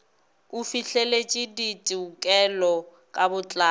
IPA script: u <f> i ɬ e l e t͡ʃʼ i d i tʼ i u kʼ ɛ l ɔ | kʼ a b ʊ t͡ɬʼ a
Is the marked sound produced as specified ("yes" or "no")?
yes